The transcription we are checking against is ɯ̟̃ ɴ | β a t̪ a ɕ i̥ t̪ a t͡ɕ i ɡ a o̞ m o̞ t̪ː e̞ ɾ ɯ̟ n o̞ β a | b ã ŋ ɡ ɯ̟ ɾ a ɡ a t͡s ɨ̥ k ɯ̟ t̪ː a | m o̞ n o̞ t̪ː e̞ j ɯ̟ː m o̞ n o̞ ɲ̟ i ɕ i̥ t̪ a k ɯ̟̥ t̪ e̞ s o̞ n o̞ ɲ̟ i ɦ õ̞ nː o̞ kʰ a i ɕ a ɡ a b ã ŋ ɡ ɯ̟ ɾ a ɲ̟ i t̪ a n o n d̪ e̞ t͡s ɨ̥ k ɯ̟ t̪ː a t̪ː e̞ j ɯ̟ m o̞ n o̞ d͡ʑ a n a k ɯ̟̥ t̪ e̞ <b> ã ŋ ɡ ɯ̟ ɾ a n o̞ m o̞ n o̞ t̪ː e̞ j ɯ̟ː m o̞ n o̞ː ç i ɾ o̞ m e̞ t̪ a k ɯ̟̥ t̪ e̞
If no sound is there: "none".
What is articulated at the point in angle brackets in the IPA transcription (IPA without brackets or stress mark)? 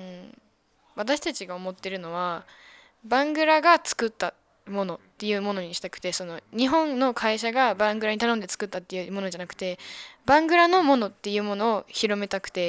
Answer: b